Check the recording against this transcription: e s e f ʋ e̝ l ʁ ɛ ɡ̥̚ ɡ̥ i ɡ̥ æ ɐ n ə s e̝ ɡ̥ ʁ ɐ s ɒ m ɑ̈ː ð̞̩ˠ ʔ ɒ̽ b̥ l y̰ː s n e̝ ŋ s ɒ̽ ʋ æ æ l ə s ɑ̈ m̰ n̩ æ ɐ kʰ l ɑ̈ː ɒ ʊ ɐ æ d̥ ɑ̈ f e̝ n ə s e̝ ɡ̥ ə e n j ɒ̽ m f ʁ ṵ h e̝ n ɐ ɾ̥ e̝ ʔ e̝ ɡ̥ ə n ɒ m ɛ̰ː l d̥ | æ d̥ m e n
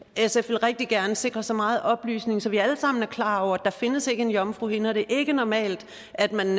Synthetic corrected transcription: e s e f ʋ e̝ l ʁ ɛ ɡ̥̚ d̥ i ɡ̥ æ ɐ n ə s e̝ ɡ̥ ʁ ɐ s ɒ m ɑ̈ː ð̞̩ˠ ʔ ɒ̽ b̥ l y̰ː s n e̝ ŋ s ɒ̽ ʋ i æ l ə s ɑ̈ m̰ n̩ æ ɐ kʰ l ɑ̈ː ɒ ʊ ɐ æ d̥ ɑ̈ f e̝ n ə s e̝ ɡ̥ ə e n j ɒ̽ m f ʁ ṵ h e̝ n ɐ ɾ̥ e̝ ʔ e̝ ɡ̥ ə n ɒ m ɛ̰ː l d̥ | æ d̥ m æ n